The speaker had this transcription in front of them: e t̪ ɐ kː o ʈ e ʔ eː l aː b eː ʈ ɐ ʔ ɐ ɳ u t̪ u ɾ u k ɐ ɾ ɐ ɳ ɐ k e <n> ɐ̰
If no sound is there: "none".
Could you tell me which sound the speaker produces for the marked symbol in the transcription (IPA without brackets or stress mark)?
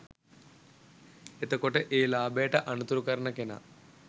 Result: n